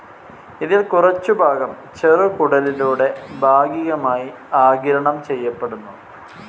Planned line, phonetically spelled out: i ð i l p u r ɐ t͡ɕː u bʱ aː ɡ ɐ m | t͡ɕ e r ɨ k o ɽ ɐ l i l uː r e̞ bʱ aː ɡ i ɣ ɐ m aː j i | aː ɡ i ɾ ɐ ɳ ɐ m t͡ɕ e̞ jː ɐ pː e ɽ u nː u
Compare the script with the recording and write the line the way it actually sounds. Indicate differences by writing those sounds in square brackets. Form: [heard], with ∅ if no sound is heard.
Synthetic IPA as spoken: i ð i l [k] u r ɐ t͡ɕː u bʱ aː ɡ ɐ m | t͡ɕ e r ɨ k [u] ɽ ɐ l i l uː [ɽ] e̞ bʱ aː ɡ i ɣ ɐ m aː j i | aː ɡ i ɾ ɐ ɳ ɐ m t͡ɕ e̞ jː ɐ pː e ɽ u nː u

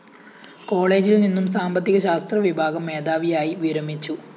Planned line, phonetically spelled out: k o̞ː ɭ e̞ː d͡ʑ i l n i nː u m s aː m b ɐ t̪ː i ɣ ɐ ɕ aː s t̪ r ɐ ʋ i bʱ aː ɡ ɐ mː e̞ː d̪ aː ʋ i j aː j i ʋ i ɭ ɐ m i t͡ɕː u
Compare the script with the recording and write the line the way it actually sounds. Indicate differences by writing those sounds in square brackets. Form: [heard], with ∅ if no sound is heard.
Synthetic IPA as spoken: k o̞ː ɭ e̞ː d͡ʑ i l n i nː u m s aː m b ɐ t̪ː i ɣ ɐ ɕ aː s t̪ r ɐ ʋ i bʱ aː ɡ ɐ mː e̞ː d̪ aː ʋ i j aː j i ʋ i [ɾ] ɐ m i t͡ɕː u

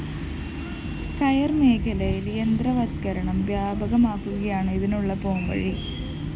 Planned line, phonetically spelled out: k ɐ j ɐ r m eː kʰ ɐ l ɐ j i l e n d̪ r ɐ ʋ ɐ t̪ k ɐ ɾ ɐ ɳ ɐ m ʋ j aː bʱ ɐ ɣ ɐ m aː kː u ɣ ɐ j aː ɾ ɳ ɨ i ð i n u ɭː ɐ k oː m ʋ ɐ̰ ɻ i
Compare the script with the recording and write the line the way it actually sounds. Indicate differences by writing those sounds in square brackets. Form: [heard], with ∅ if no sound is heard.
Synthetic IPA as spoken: k ɐ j ɐ r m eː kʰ ɐ l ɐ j i l e n d̪ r ɐ ʋ ɐ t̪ k ɐ ɾ ɐ ɳ ɐ m ʋ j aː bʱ ɐ ɣ ɐ m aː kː u ɣ ɐ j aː [∅] ɳ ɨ i ð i n u ɭː ɐ [p] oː m ʋ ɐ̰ ɻ i

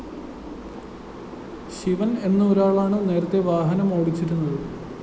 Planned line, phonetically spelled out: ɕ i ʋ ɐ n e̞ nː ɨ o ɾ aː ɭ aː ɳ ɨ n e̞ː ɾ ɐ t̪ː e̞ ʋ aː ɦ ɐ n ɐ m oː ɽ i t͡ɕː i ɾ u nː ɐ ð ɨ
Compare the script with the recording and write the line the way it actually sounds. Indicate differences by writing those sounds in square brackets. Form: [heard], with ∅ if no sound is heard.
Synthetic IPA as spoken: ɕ i ʋ ɐ n e̞ nː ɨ o ɾ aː ɭ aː ɳ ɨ n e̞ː ɾ ɐ t̪ː e̞ ʋ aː ɦ ɐ n ɐ m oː ɽ i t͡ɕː i ɾ u nː ɐ ð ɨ

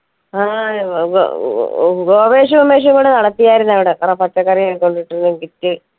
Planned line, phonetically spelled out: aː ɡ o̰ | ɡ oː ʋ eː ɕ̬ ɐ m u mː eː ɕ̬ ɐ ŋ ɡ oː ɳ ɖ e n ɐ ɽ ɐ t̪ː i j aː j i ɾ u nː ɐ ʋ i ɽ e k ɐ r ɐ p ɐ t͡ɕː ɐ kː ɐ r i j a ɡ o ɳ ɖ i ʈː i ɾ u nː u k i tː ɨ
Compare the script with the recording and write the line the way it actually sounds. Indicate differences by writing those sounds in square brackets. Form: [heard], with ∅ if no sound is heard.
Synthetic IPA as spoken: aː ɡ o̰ | ɡ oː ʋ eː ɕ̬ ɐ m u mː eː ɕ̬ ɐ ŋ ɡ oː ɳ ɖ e n ɐ ɽ ɐ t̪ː i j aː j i ɾ u nː ɐ ʋ i ɽ e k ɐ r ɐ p ɐ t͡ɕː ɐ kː ɐ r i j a [k] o ɳ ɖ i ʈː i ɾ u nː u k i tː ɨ

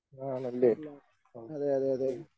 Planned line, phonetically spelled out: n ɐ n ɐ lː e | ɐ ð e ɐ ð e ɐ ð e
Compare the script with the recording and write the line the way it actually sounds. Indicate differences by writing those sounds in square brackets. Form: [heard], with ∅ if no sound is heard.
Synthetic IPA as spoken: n [a] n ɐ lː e | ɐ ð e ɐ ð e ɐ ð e

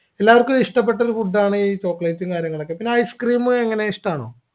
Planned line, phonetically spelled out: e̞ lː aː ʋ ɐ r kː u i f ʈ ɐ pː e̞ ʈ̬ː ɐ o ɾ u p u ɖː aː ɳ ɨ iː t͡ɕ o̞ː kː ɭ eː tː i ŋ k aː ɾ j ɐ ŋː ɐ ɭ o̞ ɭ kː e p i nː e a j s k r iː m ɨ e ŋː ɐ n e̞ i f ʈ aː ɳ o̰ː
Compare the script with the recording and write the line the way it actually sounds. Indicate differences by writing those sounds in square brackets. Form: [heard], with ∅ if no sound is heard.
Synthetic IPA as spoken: e̞ lː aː ʋ ɐ r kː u i [ʂ] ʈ ɐ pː e̞ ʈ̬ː ɐ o ɾ u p u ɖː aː ɳ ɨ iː t͡ɕ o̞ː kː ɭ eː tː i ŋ k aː ɾ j ɐ ŋː ɐ ɭ o̞ [∅] kː e p i nː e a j s k r iː m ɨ e ŋː ɐ n e̞ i [ʂ] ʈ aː ɳ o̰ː

